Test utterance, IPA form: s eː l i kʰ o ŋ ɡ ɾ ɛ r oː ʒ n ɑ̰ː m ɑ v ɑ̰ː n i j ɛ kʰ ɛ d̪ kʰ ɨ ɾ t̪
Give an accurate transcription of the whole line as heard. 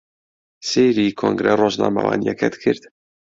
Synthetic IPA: s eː ɾ i kʰ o ŋ ɡ ɾ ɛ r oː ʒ n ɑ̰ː m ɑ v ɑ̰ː n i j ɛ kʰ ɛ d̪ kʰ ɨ ɾ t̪